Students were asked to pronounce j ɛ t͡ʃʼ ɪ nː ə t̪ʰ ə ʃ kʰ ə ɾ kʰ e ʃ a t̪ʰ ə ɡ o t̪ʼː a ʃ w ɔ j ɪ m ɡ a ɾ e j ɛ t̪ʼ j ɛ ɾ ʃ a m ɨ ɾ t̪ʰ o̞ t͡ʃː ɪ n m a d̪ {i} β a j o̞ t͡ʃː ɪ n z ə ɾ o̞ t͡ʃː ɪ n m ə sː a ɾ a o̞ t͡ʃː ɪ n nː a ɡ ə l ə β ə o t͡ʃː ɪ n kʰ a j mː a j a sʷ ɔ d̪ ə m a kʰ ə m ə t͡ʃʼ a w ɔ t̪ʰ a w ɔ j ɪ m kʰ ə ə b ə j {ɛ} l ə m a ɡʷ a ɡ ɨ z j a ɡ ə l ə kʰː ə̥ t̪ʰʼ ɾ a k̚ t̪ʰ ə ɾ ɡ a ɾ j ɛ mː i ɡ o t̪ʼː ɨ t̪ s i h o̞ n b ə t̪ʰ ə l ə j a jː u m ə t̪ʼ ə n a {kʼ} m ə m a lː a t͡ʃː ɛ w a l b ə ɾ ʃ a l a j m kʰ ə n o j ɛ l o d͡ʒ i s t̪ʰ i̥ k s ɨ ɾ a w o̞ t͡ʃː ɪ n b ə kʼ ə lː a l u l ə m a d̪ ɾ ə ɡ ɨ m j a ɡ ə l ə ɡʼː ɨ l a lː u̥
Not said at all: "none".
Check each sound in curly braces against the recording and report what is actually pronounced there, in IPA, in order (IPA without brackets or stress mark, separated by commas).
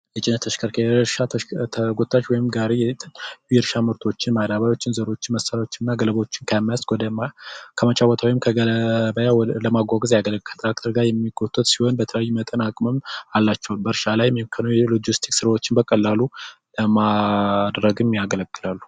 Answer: a, a, kʼ